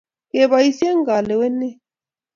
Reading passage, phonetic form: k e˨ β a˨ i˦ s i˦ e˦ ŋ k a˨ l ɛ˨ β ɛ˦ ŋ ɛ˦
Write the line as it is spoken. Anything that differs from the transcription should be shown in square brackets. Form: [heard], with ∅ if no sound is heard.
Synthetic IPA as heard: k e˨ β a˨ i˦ s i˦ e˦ ŋ [ɡ] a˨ l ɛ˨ [w] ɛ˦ [n] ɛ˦